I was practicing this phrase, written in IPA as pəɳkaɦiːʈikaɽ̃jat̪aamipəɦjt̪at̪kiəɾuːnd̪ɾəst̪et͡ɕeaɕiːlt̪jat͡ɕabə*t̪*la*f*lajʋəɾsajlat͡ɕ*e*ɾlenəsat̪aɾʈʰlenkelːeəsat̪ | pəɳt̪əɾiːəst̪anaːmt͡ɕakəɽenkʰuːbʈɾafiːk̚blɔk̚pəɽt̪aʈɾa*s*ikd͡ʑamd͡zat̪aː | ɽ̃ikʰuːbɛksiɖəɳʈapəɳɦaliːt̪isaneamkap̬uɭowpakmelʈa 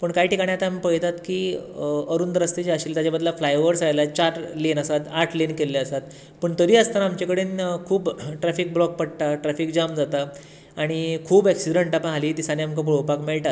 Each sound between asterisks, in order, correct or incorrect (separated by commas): incorrect, correct, incorrect, incorrect